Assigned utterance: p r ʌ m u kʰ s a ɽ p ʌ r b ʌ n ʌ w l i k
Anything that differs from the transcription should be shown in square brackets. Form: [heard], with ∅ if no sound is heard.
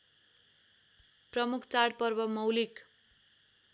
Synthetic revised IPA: p r ʌ m u kʰ [t͡s] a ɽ p ʌ r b ʌ [m] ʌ w l i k